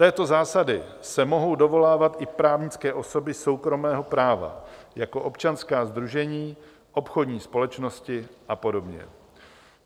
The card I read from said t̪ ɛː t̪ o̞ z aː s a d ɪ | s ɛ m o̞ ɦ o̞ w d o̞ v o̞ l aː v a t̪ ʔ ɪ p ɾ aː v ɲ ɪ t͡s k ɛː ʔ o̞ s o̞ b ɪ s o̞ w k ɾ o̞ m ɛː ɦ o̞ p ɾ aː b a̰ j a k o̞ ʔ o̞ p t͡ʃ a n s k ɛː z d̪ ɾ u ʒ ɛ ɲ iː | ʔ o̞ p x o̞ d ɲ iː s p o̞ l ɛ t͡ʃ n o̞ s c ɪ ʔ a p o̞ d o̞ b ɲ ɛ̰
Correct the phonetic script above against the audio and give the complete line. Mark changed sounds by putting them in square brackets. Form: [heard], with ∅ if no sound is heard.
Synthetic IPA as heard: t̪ ɛː t̪ o̞ z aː s a d ɪ | s ɛ m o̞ ɦ o̞ w d o̞ v o̞ l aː v a t̪ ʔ ɪ p ɾ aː v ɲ ɪ t͡s k ɛː ʔ o̞ s o̞ b ɪ s o̞ w k ɾ o̞ m ɛː ɦ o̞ p ɾ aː [v] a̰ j a k o̞ ʔ o̞ p t͡ʃ a n s k [aː] z d̪ ɾ u ʒ ɛ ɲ iː | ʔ o̞ p x o̞ d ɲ iː s p o̞ l ɛ t͡ʃ n o̞ s c ɪ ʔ a p o̞ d o̞ b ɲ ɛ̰